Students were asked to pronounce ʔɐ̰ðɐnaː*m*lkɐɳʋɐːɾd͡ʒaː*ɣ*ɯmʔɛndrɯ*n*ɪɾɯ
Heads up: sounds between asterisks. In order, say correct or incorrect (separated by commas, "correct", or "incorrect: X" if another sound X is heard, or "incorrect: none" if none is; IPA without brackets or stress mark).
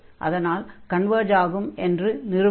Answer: incorrect: none, correct, correct